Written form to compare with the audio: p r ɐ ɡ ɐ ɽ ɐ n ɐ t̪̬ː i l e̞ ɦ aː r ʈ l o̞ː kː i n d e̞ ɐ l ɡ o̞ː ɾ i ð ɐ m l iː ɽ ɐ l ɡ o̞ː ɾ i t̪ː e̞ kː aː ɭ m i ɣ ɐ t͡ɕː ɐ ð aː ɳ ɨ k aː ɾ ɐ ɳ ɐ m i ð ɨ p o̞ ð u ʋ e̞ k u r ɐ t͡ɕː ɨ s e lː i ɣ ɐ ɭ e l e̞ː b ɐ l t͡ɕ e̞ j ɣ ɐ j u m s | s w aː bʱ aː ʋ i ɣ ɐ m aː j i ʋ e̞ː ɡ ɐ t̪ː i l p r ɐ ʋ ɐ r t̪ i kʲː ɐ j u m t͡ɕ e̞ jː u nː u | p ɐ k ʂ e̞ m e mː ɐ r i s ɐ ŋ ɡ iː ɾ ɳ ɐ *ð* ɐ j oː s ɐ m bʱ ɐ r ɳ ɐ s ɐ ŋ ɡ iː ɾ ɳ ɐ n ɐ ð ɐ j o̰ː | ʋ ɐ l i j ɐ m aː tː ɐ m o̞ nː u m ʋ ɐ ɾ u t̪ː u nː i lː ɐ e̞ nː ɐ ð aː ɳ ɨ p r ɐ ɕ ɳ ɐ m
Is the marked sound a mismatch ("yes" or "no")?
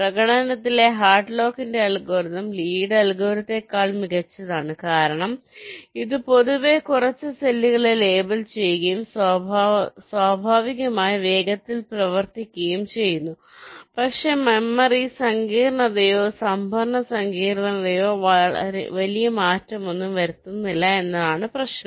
no